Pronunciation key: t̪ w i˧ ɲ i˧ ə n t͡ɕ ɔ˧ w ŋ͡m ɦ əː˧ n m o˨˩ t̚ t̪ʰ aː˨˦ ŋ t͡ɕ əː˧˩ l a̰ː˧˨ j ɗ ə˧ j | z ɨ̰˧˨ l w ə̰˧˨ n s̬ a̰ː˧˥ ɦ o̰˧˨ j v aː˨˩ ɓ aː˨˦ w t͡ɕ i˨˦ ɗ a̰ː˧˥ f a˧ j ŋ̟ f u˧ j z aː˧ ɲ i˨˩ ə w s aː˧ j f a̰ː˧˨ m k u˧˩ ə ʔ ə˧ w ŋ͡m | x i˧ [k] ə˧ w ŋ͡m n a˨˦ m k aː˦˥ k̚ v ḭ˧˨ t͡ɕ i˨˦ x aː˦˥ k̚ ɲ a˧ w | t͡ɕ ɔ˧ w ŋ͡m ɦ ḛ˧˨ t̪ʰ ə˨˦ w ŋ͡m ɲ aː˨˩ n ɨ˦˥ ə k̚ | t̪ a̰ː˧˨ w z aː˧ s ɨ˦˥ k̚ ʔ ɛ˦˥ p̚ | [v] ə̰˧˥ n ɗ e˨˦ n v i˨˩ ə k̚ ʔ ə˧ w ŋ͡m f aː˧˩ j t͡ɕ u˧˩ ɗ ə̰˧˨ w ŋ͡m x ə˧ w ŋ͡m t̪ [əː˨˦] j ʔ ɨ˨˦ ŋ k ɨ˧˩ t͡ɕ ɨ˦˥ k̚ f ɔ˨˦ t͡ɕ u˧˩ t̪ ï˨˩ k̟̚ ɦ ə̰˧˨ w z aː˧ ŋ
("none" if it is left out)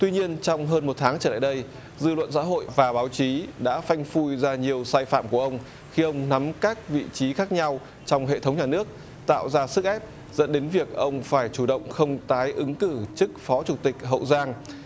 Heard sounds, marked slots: ʔ, z, aː˨˦

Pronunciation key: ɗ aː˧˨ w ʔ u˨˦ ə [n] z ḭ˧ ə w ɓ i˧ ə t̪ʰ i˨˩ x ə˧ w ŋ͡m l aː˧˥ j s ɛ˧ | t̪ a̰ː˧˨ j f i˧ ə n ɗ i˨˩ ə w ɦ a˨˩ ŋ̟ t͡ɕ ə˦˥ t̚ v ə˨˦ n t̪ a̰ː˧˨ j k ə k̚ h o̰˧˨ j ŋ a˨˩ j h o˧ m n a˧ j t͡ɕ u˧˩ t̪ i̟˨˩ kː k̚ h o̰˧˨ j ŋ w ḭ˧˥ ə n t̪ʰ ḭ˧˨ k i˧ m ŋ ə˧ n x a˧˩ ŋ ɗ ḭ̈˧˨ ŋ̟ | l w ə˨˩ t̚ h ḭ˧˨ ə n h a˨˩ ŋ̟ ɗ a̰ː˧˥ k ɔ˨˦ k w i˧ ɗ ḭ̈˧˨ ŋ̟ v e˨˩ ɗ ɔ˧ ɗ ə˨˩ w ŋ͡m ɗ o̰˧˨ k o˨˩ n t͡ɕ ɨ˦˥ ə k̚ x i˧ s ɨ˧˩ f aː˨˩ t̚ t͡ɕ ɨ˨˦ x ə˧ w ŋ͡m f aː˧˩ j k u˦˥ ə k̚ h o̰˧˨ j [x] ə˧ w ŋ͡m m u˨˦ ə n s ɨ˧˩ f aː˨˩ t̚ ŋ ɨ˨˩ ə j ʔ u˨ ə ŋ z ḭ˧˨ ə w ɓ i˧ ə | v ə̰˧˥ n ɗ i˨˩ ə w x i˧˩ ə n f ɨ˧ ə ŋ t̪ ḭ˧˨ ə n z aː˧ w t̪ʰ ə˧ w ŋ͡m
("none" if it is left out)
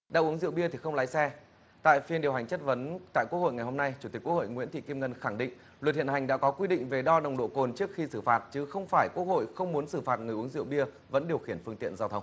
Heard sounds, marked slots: ŋ, x

